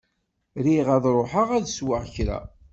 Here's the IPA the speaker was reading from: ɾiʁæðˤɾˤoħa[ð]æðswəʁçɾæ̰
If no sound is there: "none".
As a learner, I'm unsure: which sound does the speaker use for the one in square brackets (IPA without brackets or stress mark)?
ʁ